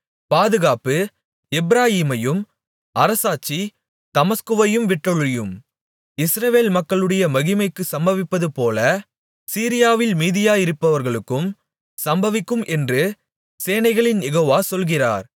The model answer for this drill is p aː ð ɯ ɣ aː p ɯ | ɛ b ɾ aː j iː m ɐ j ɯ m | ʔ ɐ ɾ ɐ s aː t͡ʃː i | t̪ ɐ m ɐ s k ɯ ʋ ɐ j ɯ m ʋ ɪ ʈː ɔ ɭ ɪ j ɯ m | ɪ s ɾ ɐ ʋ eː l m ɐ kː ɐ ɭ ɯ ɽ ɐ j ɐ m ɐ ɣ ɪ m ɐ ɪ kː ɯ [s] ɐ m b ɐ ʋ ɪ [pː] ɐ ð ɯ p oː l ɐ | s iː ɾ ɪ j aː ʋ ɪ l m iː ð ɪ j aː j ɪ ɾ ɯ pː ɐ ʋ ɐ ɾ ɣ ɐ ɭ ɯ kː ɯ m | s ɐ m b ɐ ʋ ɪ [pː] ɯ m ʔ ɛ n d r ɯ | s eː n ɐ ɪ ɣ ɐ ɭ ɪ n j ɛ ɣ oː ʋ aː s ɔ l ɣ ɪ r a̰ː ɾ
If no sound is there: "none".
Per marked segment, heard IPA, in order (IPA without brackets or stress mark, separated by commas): s, pː, kː